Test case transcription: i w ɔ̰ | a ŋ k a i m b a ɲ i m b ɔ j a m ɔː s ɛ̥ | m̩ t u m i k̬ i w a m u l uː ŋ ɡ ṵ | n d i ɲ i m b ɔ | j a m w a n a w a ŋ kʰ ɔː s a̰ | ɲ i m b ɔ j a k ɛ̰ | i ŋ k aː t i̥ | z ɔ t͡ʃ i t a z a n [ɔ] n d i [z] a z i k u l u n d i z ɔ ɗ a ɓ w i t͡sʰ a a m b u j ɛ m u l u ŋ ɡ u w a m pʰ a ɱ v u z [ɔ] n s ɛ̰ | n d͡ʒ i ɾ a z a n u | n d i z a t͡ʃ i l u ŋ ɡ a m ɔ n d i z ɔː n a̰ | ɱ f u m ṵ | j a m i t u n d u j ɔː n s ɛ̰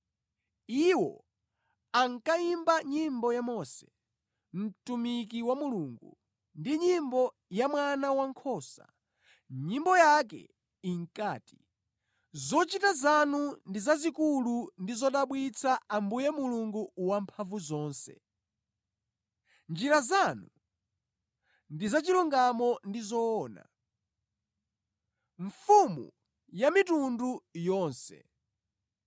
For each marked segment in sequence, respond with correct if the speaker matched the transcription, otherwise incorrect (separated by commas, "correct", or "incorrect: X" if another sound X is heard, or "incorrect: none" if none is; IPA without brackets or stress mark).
incorrect: u, correct, incorrect: ɔː